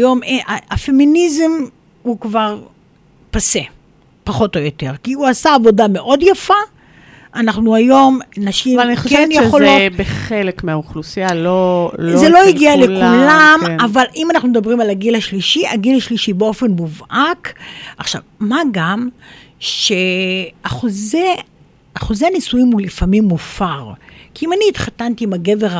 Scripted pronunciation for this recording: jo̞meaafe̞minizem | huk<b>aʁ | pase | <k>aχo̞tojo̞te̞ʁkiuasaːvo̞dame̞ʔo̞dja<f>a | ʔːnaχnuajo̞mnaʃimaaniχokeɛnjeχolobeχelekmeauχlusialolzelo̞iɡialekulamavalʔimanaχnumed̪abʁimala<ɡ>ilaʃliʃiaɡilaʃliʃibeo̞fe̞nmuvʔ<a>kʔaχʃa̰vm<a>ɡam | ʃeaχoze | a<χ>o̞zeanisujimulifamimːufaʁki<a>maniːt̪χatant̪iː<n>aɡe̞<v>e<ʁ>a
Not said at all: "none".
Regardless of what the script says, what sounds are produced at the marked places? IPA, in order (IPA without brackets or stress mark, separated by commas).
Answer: v, p, f, ɡ, a, a, χ, i, m, v, ʁ